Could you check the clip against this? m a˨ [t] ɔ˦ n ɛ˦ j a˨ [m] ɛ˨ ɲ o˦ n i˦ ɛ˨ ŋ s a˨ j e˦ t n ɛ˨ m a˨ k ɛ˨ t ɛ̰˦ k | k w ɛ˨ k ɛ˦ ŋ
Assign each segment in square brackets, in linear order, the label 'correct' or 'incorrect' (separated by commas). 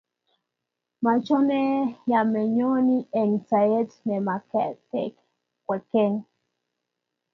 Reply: incorrect, correct